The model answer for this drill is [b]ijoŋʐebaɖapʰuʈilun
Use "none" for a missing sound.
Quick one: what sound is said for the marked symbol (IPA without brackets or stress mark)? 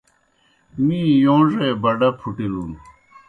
m